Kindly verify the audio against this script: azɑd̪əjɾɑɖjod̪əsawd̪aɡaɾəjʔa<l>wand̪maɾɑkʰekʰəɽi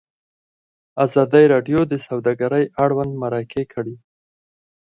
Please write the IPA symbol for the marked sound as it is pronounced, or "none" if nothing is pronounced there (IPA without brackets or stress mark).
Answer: ɽ